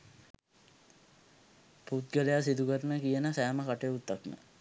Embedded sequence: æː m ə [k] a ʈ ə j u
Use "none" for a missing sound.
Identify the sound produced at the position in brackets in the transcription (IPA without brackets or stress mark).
k